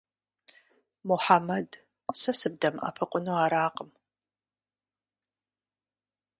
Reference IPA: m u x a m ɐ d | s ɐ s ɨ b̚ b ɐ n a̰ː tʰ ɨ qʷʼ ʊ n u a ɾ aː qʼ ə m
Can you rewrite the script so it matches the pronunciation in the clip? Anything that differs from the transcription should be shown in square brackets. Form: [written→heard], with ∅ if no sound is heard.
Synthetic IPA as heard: m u [x→ħ] a m ɐ d | s ɐ s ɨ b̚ [b→d] ɐ [n→m] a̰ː [tʰ→pʰ] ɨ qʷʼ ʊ n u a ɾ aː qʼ ə m